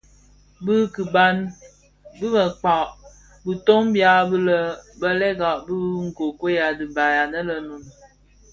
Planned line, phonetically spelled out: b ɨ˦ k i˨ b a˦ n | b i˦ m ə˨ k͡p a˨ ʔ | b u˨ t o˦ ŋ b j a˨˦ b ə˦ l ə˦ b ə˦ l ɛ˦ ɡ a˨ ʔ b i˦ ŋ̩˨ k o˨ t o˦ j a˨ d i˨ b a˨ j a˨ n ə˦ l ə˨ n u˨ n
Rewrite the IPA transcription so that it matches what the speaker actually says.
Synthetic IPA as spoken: b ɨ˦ k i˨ b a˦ n | b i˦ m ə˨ k͡p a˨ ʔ | b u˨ t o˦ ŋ b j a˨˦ b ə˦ l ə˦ b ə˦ l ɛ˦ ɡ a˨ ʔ b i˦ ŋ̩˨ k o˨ k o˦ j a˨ d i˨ b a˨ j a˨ n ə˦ l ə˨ n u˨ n